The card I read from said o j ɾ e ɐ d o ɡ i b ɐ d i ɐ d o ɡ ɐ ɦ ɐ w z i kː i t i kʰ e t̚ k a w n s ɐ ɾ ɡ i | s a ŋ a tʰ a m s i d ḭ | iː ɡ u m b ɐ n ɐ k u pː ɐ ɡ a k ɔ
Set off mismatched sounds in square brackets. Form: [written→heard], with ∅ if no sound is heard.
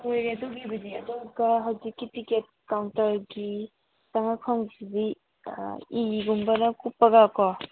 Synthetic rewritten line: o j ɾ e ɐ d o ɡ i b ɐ d i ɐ d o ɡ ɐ ɦ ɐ w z i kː i t i [kʰ→k] e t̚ k a w n [s→t] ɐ ɾ ɡ i | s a ŋ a [tʰ→kʰ] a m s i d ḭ | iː ɡ u m b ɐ n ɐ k u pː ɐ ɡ a k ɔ